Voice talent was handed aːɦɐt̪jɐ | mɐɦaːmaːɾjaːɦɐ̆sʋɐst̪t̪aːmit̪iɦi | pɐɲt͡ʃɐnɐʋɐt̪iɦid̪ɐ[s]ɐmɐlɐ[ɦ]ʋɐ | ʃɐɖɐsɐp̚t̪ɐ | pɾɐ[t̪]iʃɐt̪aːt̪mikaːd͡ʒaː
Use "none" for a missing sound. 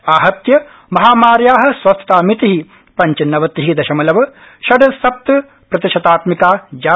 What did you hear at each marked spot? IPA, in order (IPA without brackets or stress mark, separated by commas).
ʃ, none, t̪